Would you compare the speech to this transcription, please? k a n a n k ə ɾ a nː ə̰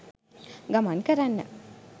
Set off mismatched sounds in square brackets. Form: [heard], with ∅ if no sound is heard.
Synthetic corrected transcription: [ɡ] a [m] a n k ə ɾ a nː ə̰